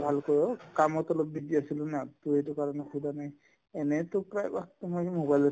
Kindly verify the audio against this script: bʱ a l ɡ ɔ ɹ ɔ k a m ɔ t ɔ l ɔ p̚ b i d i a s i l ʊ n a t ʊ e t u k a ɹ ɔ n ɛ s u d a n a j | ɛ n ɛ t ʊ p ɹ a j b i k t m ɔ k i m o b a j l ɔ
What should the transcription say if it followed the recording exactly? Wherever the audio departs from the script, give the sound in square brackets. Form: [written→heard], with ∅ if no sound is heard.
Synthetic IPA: bʱ a l [ɡ→k] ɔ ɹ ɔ k a m ɔ t ɔ l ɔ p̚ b i d i a s i l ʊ n a t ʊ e t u k a ɹ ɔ n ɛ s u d a n a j | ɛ n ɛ t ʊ p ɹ a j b [i→a] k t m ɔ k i m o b a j l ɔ